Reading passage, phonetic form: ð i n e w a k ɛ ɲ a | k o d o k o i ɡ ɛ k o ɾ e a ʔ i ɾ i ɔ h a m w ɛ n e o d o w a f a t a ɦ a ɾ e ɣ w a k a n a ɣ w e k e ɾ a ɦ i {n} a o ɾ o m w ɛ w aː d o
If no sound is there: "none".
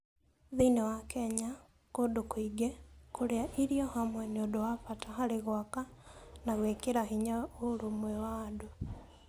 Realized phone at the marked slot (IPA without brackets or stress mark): ɲ